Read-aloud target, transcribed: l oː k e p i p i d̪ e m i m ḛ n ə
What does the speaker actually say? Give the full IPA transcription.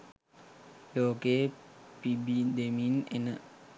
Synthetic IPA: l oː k e p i b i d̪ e m i n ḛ n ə